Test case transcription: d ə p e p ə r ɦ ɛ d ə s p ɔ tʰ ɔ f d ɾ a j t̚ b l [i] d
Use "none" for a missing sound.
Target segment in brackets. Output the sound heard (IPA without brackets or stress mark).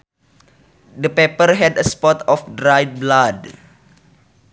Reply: a